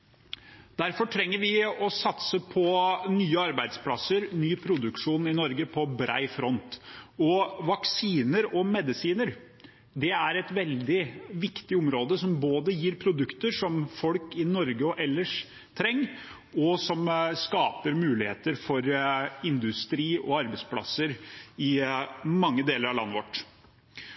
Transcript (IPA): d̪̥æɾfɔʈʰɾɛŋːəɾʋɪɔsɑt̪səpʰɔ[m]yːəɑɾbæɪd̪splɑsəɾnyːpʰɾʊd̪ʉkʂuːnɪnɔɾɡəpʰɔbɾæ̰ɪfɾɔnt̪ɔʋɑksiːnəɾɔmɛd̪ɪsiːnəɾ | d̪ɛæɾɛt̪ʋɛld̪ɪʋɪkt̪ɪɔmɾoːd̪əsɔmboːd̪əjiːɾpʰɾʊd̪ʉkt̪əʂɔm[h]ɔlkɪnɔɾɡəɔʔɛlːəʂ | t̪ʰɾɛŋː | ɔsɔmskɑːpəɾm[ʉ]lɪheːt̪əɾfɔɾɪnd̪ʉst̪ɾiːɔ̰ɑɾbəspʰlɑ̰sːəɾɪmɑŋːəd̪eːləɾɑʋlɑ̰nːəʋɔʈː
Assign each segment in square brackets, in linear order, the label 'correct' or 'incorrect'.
incorrect: n, incorrect: f, incorrect: ʉː

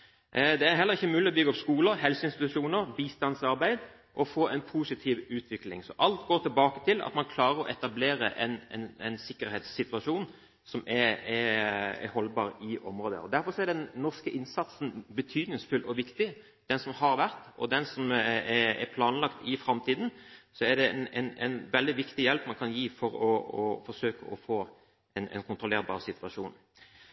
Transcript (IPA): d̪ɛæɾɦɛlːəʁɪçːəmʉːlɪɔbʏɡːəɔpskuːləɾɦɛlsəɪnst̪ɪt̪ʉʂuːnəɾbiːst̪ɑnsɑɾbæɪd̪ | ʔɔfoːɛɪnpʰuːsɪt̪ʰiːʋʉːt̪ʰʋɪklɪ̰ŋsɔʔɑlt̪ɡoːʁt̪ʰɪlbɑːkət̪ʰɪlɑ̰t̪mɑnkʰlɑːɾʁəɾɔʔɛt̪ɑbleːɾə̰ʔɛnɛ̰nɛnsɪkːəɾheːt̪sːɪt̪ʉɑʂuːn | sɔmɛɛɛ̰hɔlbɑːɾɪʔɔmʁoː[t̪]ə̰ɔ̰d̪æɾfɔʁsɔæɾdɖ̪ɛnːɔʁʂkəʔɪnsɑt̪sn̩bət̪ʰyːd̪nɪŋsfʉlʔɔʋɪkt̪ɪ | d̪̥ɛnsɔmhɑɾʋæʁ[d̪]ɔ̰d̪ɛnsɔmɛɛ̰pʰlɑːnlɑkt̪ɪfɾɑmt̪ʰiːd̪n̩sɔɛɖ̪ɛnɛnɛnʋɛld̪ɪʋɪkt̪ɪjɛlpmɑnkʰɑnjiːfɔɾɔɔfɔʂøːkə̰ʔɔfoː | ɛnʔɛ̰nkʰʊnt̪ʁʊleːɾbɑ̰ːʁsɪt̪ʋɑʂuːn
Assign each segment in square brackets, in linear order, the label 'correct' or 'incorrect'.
incorrect: d̪, incorrect: t̪

